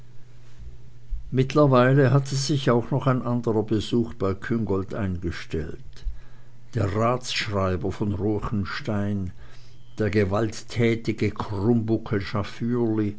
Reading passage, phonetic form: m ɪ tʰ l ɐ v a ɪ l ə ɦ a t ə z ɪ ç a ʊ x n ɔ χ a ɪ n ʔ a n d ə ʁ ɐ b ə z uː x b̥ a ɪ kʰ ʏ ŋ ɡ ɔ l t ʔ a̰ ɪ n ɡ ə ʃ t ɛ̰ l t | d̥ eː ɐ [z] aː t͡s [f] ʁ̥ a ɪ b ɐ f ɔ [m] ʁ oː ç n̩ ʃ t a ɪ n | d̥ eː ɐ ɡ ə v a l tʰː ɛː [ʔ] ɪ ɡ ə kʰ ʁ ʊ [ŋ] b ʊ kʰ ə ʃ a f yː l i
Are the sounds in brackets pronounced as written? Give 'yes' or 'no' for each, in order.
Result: no, no, no, no, no

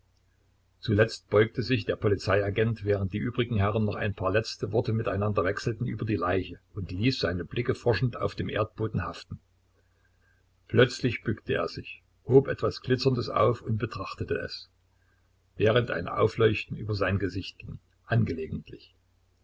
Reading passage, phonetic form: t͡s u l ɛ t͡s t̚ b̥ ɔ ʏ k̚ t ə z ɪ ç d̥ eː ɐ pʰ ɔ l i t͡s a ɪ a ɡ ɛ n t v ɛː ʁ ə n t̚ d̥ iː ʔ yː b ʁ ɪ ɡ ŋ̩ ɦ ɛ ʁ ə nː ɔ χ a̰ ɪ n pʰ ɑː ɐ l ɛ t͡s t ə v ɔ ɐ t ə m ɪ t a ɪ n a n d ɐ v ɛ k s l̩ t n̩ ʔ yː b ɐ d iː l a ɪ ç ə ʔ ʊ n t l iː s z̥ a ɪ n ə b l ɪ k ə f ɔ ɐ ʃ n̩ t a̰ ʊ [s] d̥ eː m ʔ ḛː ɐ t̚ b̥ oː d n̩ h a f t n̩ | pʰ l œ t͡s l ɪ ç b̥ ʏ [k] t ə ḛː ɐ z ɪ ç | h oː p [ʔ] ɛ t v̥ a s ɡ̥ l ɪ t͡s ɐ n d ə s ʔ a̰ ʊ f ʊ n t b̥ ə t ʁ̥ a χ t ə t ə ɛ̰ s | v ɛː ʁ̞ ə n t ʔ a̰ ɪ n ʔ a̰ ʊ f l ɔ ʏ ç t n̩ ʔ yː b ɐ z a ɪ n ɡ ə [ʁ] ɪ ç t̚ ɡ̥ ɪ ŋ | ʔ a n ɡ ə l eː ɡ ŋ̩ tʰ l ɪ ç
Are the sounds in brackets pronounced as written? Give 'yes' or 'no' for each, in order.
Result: no, yes, yes, no

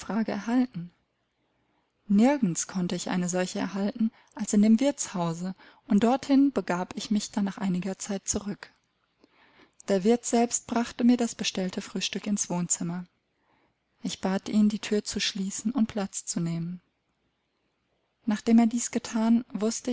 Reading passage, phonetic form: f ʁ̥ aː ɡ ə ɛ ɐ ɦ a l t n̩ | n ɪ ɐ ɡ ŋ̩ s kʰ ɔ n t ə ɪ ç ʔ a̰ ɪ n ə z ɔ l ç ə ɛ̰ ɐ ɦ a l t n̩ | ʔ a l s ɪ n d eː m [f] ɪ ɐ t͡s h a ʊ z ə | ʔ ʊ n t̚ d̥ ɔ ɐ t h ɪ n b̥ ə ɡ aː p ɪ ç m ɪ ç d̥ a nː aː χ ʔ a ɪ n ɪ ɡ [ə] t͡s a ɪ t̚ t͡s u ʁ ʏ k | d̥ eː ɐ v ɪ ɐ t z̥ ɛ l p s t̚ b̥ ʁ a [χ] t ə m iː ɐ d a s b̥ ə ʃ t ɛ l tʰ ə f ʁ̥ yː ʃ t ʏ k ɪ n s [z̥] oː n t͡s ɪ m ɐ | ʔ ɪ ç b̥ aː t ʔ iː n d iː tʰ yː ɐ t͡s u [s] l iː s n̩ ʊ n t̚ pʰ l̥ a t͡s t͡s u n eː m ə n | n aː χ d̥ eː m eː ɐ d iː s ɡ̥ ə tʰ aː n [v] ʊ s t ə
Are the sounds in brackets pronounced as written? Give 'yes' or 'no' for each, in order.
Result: no, no, yes, no, no, yes

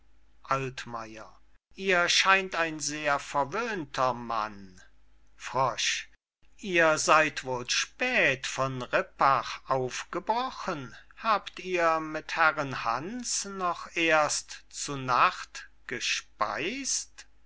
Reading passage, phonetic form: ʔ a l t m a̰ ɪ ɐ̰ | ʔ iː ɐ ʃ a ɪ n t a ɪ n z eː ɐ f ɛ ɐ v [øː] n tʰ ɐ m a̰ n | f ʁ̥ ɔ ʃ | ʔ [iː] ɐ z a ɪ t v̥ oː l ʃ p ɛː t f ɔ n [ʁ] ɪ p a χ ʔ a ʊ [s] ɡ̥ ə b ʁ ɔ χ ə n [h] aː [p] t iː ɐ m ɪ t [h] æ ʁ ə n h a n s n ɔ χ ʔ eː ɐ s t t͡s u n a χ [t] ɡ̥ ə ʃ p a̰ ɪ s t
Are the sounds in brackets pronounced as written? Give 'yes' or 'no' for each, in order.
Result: yes, yes, yes, no, yes, yes, yes, yes

